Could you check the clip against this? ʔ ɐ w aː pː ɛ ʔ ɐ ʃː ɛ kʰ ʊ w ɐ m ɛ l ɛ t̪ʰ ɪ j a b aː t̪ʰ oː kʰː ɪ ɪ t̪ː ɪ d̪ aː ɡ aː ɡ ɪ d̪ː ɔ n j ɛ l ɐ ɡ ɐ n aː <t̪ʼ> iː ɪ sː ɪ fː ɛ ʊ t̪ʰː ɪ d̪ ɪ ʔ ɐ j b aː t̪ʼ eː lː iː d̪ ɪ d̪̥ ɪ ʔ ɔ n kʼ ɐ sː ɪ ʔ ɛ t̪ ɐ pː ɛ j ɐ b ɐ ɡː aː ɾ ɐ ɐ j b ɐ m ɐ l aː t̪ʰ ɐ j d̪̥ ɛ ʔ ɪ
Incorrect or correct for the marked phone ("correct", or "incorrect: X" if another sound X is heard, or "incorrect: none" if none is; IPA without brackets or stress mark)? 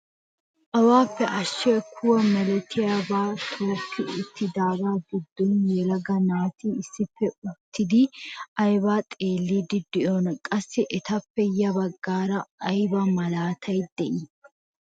incorrect: t̪